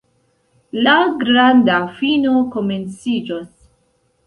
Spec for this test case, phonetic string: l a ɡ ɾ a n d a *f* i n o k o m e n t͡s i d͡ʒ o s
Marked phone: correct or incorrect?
correct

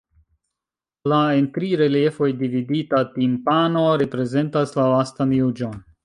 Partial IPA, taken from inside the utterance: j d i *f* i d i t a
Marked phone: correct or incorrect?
incorrect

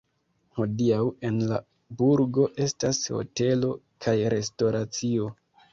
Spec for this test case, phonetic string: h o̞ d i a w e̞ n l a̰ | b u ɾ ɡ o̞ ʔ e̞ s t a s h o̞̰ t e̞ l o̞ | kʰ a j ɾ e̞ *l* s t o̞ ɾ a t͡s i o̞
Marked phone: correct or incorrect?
incorrect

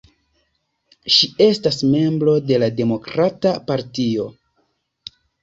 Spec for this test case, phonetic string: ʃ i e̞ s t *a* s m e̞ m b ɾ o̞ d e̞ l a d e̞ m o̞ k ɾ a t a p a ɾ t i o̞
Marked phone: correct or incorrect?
correct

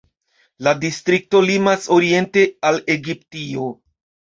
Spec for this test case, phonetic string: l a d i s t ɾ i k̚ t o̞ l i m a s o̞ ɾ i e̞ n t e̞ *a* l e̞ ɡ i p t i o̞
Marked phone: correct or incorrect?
correct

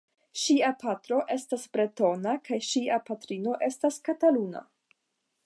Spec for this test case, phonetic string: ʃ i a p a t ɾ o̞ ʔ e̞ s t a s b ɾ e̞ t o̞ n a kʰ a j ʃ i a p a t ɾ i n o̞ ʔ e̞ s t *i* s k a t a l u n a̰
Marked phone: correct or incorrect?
incorrect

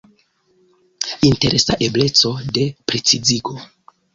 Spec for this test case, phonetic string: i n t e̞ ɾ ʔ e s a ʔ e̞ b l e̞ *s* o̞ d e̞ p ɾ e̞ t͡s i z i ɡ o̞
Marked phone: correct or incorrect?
incorrect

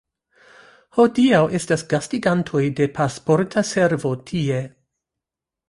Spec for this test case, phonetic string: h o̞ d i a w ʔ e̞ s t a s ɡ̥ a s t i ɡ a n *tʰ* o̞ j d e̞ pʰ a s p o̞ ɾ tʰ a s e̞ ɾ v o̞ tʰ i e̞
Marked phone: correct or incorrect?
correct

